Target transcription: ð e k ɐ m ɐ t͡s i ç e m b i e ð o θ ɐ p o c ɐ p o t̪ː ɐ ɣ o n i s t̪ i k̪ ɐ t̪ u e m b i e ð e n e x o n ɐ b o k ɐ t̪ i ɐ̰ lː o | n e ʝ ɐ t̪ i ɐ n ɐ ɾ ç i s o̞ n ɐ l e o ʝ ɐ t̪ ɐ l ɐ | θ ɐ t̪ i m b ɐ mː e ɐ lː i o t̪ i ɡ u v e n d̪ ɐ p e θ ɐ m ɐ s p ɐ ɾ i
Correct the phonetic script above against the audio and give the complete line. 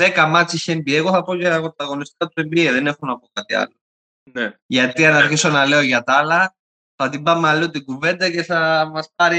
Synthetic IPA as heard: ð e k ɐ m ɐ t͡s i ç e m b i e ɣ o θ ɐ p o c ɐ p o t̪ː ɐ ɣ o n i s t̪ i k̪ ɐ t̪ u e m b i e ð e n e x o n ɐ p o k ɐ t̪ i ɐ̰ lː o | n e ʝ ɐ t̪ i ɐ n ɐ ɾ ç i s o̞ n ɐ l e o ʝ ɐ t̪ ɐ l ɐ | θ ɐ t̪ i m b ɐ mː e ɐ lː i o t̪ i ɡ u v e n d̪ ɐ c e θ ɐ m ɐ s p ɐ ɾ i